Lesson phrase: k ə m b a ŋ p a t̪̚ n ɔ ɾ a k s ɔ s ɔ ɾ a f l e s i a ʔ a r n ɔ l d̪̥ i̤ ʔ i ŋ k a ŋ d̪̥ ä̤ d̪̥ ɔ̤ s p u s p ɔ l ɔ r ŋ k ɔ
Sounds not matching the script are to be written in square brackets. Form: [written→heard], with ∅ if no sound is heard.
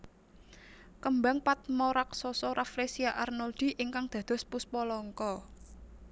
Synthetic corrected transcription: k ə m b a ŋ p a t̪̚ [n→m] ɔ ɾ a k s ɔ s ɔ ɾ a f l e s i a ʔ a r n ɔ l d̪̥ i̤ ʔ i ŋ k a ŋ d̪̥ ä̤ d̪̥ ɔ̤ s p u s p ɔ l ɔ [r→∅] ŋ k ɔ